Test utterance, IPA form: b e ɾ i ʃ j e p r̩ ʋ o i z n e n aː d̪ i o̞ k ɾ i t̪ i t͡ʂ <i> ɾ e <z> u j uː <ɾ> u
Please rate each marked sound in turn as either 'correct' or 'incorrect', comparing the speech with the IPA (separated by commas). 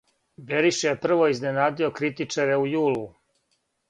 incorrect, incorrect, incorrect